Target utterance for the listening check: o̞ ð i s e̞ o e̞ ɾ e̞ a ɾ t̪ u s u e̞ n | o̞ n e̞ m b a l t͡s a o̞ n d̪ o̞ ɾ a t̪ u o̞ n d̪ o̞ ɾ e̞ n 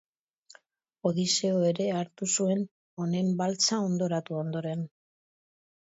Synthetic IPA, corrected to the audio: o̞ ð i s e̞ o e̞ ɾ e̞ a ɾ t̪ u s u e̞ n | o̞ n e̞ m b a l t͡s a o̞ n d̪ o̞ ɾ a t̪ u o̞ n d̪ o̞ ɾ e̞ n